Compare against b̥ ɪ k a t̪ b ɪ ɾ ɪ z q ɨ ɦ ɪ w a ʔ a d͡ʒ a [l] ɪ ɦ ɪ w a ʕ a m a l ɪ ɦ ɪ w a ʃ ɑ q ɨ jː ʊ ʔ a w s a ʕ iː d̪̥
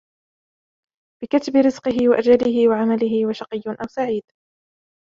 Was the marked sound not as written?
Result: no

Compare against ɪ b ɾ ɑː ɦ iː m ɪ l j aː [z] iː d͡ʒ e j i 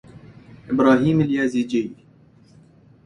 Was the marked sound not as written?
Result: no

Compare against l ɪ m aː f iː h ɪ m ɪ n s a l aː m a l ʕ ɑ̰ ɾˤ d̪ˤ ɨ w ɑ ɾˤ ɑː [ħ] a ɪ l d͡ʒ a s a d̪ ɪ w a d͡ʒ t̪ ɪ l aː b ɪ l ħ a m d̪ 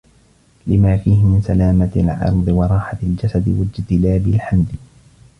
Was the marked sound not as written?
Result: no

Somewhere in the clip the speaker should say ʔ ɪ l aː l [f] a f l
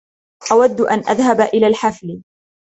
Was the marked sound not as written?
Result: yes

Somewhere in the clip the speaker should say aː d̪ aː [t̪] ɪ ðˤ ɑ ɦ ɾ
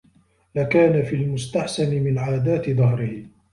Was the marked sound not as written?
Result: no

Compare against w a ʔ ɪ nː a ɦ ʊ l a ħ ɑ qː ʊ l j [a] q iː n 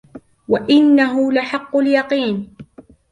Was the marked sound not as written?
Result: yes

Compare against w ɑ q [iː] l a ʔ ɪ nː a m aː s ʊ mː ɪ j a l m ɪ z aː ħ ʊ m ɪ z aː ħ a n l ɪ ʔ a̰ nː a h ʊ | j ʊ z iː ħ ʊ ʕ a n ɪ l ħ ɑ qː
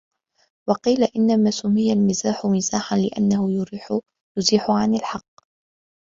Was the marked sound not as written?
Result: no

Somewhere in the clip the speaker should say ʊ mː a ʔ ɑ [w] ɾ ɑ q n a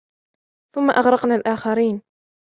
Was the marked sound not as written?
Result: yes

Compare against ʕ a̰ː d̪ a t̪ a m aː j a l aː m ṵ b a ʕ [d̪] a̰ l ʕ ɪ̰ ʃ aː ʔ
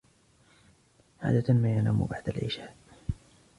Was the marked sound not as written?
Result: no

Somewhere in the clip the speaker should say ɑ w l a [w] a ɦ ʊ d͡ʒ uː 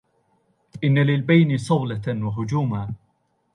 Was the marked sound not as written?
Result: no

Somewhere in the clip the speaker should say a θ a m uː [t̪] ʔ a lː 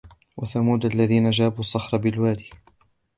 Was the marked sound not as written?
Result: yes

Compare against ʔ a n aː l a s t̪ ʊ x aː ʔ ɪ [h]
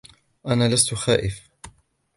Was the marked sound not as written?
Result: yes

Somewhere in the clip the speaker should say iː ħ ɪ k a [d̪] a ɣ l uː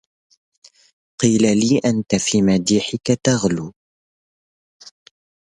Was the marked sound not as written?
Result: yes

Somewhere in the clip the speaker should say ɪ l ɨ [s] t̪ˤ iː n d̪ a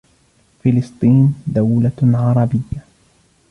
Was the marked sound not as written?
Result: no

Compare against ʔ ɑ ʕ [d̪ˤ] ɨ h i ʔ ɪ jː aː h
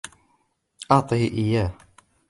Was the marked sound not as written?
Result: yes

